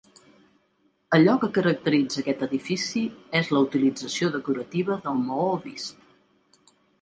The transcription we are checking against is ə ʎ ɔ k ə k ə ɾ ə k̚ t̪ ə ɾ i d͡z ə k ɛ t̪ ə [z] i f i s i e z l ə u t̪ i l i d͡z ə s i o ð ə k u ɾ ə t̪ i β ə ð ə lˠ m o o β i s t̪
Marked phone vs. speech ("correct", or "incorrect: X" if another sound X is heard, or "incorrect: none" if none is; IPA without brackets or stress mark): incorrect: ð